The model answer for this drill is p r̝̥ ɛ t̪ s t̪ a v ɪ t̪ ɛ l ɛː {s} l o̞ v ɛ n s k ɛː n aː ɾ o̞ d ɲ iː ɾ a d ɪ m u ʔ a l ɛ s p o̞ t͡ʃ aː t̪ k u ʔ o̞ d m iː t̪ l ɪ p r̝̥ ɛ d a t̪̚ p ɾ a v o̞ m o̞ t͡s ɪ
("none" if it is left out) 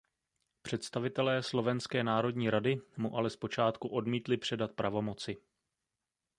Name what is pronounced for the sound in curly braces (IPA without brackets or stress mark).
s